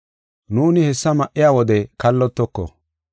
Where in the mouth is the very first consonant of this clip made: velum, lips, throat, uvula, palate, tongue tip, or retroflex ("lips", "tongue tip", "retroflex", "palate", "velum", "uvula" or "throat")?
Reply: tongue tip